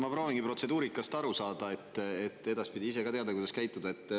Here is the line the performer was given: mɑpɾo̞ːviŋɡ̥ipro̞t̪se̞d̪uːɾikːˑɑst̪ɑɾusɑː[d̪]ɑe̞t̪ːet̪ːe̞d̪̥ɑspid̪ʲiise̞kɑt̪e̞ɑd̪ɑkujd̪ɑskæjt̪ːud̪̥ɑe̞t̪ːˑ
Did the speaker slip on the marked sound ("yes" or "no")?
no